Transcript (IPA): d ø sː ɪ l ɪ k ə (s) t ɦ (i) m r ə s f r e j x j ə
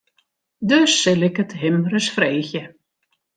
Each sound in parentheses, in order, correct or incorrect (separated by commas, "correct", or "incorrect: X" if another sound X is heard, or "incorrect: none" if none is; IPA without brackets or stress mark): incorrect: none, incorrect: ɪ